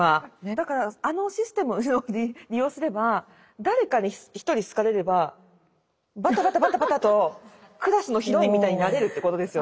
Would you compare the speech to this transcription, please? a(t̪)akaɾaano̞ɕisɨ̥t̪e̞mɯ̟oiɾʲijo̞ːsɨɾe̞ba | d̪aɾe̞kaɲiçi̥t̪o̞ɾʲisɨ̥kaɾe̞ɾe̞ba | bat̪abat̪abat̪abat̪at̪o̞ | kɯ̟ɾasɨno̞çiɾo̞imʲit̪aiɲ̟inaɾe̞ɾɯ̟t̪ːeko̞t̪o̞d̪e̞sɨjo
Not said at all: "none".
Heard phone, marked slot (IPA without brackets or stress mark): d̪